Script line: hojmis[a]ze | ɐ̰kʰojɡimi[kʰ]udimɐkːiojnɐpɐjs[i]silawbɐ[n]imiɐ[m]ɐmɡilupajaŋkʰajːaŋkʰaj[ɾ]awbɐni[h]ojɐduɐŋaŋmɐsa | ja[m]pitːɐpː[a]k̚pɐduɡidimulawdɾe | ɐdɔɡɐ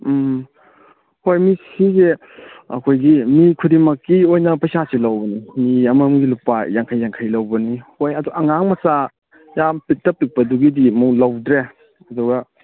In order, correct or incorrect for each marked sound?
incorrect: i, correct, incorrect: a, correct, correct, incorrect: l, correct, correct, incorrect: i

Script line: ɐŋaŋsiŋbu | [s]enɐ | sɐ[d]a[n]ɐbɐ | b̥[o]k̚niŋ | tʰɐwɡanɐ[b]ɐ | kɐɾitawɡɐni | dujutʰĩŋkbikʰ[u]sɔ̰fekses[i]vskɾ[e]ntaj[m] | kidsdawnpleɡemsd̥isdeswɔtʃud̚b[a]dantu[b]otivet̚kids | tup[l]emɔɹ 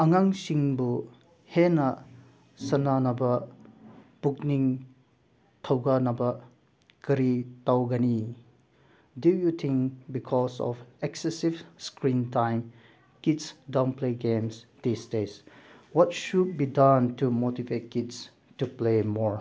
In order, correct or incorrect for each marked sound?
incorrect: h, incorrect: n, correct, incorrect: u, correct, incorrect: ɔ, correct, incorrect: i, correct, incorrect: i, incorrect: m, correct

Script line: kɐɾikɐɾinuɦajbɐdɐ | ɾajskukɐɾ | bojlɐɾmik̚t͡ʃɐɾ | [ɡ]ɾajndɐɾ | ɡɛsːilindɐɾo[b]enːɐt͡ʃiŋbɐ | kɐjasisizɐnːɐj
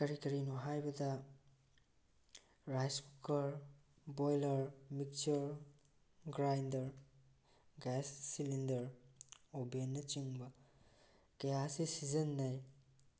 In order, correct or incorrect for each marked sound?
correct, correct

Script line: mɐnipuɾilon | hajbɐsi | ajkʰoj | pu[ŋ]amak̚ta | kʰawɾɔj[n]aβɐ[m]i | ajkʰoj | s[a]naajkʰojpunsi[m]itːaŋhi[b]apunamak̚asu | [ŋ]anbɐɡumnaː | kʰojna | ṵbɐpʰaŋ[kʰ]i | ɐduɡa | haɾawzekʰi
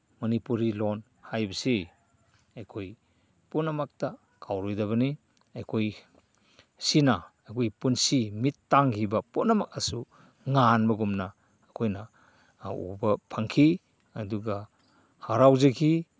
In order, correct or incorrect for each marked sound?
incorrect: n, incorrect: d, incorrect: n, incorrect: i, correct, correct, correct, correct

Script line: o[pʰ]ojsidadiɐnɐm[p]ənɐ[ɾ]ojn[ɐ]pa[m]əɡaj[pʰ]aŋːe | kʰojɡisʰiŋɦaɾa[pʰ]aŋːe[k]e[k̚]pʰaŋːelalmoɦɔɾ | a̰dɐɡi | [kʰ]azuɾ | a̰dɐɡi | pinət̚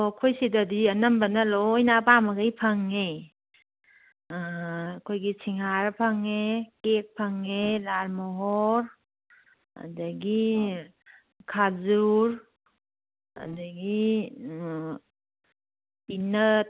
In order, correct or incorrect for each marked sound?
incorrect: kʰ, incorrect: b, incorrect: l, incorrect: a, correct, correct, correct, correct, correct, correct

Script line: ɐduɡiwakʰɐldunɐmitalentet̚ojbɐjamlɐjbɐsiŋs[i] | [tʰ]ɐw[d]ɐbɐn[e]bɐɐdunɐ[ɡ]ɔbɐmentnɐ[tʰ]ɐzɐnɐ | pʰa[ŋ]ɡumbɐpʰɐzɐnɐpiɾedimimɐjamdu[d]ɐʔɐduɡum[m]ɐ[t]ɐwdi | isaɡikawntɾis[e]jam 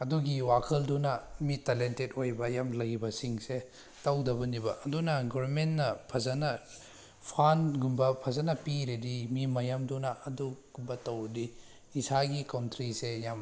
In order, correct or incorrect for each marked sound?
incorrect: e, incorrect: t, correct, incorrect: i, correct, incorrect: pʰ, incorrect: n, incorrect: n, incorrect: b, correct, correct

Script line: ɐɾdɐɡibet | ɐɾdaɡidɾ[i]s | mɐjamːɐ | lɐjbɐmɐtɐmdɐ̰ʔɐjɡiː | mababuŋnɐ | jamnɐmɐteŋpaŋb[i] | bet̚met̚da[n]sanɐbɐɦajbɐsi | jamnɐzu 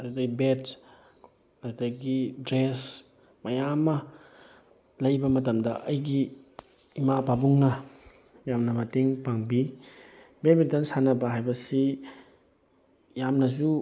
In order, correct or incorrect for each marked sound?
incorrect: e, correct, correct

